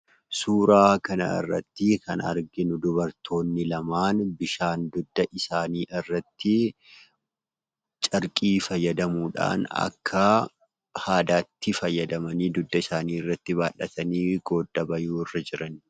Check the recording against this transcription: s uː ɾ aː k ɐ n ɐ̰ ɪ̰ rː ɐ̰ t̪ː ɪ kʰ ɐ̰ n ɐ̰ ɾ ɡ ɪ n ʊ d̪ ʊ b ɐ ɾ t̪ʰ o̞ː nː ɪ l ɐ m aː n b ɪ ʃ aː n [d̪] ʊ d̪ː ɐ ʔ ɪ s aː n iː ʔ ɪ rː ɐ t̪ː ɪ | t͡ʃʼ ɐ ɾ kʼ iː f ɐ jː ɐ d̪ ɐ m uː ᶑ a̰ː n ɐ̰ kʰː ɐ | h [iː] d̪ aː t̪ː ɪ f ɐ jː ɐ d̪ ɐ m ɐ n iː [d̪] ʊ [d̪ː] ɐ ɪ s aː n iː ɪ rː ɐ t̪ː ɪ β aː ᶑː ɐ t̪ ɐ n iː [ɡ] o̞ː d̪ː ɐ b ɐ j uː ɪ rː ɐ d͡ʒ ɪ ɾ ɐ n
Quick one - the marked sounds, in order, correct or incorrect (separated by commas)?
correct, incorrect, correct, correct, correct